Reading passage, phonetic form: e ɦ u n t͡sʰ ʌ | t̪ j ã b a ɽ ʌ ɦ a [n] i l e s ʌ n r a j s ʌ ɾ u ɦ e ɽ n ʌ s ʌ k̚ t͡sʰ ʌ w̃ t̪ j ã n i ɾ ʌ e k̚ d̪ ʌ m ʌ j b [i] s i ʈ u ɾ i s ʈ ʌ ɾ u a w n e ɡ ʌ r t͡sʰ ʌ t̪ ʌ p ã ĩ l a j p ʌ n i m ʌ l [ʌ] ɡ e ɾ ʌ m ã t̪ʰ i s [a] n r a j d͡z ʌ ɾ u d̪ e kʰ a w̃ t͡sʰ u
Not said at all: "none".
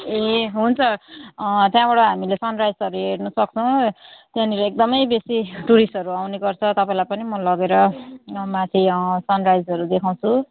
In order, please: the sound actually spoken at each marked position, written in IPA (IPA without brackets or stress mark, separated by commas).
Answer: m, e, ʌ, ʌ